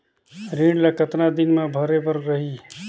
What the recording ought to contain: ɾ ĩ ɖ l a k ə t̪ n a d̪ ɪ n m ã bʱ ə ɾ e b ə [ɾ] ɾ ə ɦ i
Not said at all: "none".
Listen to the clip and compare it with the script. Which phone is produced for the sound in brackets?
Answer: ɾ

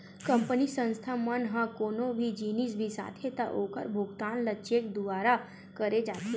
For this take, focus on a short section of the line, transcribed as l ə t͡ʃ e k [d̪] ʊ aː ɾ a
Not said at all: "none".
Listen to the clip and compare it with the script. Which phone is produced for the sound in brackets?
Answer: d̪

